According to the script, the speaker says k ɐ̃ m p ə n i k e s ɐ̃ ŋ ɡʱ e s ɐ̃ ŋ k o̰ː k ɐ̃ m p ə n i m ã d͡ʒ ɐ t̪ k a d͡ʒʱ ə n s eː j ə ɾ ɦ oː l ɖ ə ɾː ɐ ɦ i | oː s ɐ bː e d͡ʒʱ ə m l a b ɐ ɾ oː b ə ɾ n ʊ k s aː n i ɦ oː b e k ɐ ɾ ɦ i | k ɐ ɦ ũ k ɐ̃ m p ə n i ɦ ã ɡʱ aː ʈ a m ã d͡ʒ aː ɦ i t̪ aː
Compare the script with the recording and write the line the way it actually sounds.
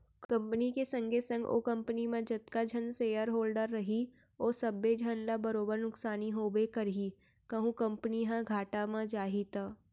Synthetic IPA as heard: k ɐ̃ m p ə n i k e s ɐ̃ ŋ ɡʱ e s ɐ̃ ŋ ɡ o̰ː k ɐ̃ m p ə n i m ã d͡ʒ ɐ t̪ k a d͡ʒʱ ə n s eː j ə ɾ ɦ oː l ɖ ə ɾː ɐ ɦ i | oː s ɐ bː e d͡ʒʱ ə n l a b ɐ ɾ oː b ə ɾ n ʊ k s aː n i ɦ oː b e k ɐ ɾ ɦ i | k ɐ ɦ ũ k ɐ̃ m p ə n i ɦ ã ɡʱ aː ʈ a m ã d͡ʒ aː ɦ i t̪ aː